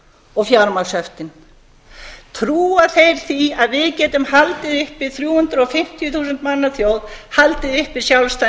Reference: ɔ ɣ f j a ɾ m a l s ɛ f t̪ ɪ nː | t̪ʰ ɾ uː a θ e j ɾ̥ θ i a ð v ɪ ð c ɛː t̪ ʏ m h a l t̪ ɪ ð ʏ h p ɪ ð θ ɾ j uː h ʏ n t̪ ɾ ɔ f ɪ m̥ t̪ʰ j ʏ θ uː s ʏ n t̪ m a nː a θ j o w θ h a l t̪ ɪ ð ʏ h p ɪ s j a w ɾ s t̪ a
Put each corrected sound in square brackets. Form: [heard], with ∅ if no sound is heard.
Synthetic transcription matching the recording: ɔ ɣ f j a ɾ m a l s [œ] f t̪ ɪ [n] | t̪ʰ ɾ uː a θ e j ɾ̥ θ i a ð v ɪ ð c ɛː t̪ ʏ m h a l t̪ ɪ ð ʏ h p ɪ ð θ ɾ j uː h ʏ n t̪ ɾ ɔ f ɪ m̥ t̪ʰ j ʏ θ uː s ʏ n t̪ m a nː a θ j o w [ð] h a l t̪ ɪ ð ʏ h p ɪ s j a w [l] s t̪ a

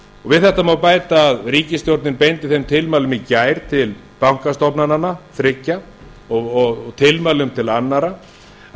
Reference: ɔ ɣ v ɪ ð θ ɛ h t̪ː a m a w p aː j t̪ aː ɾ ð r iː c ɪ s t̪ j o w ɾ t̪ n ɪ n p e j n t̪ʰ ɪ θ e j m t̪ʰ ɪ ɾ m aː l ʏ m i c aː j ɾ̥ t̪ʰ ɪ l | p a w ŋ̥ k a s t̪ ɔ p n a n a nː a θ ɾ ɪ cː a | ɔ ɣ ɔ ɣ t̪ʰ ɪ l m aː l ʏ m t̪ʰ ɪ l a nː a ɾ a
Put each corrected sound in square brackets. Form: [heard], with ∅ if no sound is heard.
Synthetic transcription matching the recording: ɔ ɣ v ɪ ð θ ɛ h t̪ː a m a w p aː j t̪ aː [∅] ð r iː c ɪ s t̪ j o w ɾ t̪ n ɪ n p e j n [t̪] ɪ θ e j m t̪ʰ ɪ [l] m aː l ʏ m i c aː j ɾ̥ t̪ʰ ɪ l | p a w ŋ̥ k a s t̪ ɔ p n a n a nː a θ ɾ ɪ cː a | ɔ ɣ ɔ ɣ t̪ʰ ɪ l m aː l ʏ m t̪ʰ ɪ l a nː a ɾ a

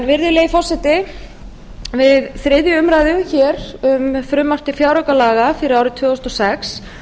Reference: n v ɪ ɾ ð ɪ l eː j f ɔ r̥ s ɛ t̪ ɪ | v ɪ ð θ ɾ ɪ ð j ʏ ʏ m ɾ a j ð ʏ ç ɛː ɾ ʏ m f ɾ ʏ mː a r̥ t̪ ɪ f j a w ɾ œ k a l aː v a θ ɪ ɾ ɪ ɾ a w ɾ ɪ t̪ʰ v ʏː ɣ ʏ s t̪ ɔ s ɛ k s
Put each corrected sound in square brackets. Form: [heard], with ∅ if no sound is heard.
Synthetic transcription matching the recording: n v ɪ ɾ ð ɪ l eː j f ɔ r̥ s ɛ t̪ ɪ | v ɪ ð θ ɾ ɪ ð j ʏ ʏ m ɾ a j ð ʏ ç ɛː ɾ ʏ m f ɾ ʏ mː a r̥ t̪ ɪ f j a w ɾ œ k a l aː [ɣ] a [f] ɪ ɾ ɪ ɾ a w ɾ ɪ t̪ʰ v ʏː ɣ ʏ s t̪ ɔ s ɛ k s

